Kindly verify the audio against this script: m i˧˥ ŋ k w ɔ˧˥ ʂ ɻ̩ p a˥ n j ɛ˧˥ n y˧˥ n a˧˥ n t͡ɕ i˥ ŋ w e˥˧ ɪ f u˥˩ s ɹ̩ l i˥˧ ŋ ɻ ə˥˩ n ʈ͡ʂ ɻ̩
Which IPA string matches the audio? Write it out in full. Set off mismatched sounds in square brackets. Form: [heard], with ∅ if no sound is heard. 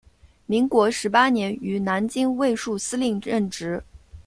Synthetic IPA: m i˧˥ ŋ k w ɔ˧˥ ʂ ɻ̩ p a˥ n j ɛ˧˥ n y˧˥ n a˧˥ n t͡ɕ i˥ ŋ w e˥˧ ɪ [ʂ] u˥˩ s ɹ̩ l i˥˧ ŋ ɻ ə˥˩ n ʈ͡ʂ ɻ̩